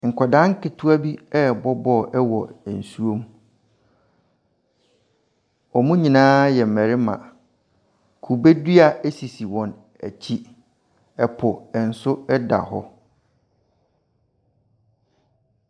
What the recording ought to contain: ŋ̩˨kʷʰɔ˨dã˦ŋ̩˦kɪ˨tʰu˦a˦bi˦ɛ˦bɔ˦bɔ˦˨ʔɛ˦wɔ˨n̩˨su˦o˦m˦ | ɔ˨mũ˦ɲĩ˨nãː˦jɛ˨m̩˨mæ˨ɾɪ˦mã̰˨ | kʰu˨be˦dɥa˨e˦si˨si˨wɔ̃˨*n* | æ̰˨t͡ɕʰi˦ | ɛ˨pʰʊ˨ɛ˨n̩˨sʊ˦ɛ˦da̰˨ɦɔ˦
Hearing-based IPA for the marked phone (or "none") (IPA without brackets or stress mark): n